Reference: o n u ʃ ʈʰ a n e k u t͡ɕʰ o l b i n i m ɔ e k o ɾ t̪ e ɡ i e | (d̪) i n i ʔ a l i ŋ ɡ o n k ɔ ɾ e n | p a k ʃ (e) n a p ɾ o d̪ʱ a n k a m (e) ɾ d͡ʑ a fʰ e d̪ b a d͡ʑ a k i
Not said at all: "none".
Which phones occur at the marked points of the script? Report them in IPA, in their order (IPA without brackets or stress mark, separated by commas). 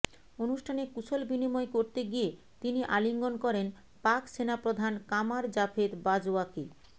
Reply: t̪, e, a